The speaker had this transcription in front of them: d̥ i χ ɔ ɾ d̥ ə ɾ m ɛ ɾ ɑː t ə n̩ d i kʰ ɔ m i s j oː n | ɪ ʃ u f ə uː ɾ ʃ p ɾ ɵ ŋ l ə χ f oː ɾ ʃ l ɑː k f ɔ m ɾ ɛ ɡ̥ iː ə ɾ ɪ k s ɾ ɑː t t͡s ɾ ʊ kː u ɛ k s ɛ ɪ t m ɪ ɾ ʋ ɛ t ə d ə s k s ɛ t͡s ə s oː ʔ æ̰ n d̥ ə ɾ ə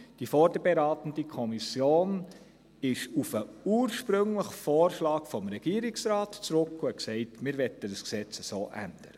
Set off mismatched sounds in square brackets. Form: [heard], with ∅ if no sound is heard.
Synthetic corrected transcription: d̥ i [f] ɔ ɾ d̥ ə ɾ [b] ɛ ɾ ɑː t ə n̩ d i kʰ ɔ m i s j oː n | ɪ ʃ u f ə uː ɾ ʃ p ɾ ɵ ŋ l ə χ f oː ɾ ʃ l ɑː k f ɔ m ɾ ɛ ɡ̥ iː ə ɾ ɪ k s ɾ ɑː t t͡s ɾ ʊ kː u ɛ k s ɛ ɪ t m ɪ ɾ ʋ ɛ t ə d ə s k s ɛ t͡s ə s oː ʔ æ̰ n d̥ ə ɾ ə